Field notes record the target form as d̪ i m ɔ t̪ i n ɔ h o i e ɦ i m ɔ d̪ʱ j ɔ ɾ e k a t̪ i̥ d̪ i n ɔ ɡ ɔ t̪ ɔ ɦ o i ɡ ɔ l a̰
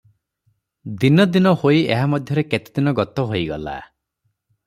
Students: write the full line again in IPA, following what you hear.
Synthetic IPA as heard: d̪ i n ɔ d̪ i n ɔ h o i e ɦ a m ɔ d̪ʱ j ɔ ɾ e k e t̪ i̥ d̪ i n ɔ ɡ ɔ t̪ ɔ ɦ o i ɡ ɔ l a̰